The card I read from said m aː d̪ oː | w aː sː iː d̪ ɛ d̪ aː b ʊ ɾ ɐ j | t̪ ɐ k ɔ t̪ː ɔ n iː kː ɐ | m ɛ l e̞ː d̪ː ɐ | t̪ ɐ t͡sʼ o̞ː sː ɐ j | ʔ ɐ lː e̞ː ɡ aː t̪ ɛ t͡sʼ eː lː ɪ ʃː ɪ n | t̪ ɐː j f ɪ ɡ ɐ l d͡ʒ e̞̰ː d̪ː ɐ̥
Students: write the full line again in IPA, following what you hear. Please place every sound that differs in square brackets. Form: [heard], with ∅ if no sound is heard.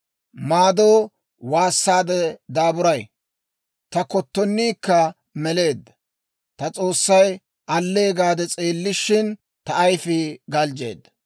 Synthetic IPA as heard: m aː d̪ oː | w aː sː [aː] d̪ ɛ d̪ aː b ʊ ɾ ɐ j | t̪ ɐ k ɔ t̪ː ɔ [nː] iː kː ɐ | m ɛ l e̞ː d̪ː ɐ | t̪ ɐ t͡sʼ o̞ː sː ɐ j | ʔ ɐ lː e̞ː ɡ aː [d̪] ɛ t͡sʼ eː lː ɪ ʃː ɪ n | t̪ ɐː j f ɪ ɡ ɐ l d͡ʒ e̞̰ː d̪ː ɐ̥

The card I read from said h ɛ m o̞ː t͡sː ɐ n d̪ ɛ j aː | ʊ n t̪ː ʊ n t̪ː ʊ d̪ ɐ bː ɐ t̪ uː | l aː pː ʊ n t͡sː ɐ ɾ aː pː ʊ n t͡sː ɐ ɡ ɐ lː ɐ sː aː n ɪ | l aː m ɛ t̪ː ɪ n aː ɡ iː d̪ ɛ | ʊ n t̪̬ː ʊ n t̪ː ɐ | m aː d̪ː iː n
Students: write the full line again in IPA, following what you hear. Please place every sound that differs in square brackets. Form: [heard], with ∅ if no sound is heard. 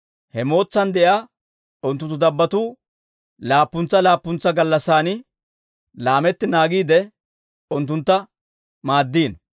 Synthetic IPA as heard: h ɛ m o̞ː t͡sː ɐ n d̪ ɛ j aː | ʊ n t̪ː ʊ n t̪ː ʊ d̪ ɐ bː ɐ t̪ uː | l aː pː ʊ n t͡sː ɐ [l] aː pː ʊ n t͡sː ɐ ɡ ɐ lː ɐ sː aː n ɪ | l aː m ɛ t̪ː ɪ n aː ɡ iː d̪ ɛ | ʊ n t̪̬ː ʊ n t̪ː ɐ | m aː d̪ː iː n

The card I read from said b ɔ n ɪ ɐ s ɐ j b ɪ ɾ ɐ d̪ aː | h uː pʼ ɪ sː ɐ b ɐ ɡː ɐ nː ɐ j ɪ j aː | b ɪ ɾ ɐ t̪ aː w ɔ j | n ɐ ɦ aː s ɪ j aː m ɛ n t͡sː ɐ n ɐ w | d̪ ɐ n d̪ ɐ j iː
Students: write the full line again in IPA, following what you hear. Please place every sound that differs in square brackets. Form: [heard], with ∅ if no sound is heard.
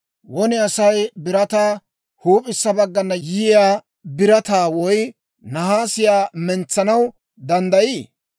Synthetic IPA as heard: [w] ɔ n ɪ ɐ s ɐ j b ɪ ɾ ɐ [t̪] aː | h uː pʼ ɪ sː ɐ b ɐ ɡː ɐ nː ɐ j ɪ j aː | b ɪ ɾ ɐ t̪ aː w ɔ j | n ɐ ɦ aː s ɪ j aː m ɛ n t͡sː ɐ n ɐ w | d̪ ɐ n d̪ ɐ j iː

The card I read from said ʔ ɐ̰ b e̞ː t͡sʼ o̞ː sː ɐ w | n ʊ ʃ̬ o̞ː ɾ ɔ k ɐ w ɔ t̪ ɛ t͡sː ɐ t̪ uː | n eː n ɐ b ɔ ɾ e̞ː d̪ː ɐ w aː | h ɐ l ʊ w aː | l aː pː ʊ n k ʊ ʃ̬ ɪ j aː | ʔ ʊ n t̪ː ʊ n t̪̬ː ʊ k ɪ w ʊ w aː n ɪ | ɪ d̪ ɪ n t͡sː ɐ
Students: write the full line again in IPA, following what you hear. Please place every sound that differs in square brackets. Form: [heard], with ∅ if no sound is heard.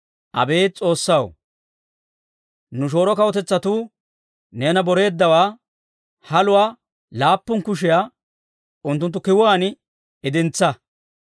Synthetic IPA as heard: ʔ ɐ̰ b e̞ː t͡sʼ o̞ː sː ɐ w | n ʊ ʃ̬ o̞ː ɾ ɔ k ɐ w ɔ t̪ ɛ t͡sː ɐ t̪ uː | n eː n ɐ b ɔ ɾ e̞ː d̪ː ɐ w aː | h ɐ l ʊ w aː | l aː pː ʊ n k ʊ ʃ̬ ɪ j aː | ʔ ʊ n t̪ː ʊ n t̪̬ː ʊ k ɪ w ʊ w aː n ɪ | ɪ d̪ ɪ n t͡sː ɐ

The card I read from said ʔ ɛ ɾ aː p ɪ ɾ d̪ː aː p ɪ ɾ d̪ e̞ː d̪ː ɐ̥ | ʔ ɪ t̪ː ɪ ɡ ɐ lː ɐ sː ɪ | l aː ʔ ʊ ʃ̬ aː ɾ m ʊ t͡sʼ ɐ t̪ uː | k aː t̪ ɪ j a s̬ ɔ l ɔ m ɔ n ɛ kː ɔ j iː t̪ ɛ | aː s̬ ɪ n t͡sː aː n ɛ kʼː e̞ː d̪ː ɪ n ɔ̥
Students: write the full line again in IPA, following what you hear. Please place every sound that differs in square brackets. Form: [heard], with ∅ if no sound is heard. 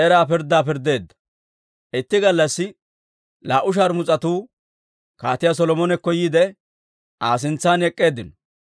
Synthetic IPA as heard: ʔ ɛ ɾ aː p ɪ ɾ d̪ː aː p ɪ ɾ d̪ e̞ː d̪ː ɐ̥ | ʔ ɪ t̪ː ɪ ɡ ɐ lː ɐ sː ɪ | l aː ʔ ʊ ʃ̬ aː ɾ m ʊ t͡sʼ ɐ t̪ uː | k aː t̪ ɪ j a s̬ ɔ l ɔ m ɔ n ɛ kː ɔ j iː [d̪] ɛ | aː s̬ ɪ n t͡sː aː n ɛ kʼː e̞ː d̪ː ɪ n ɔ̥

